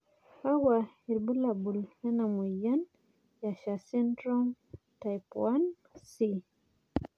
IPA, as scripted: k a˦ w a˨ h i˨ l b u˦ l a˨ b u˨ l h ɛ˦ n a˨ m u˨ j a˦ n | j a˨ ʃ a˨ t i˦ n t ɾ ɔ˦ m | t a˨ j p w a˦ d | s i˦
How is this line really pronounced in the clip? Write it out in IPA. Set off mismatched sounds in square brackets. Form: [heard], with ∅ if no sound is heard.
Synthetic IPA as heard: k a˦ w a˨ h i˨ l b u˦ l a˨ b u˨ l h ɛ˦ n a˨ m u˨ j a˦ n | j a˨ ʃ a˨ [s] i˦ n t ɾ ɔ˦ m | t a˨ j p w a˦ [n] | s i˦